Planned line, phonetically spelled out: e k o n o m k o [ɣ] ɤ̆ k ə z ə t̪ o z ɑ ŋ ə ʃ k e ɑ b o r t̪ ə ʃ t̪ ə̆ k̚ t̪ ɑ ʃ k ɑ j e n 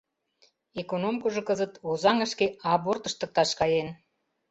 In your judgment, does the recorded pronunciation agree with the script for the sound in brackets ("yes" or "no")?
no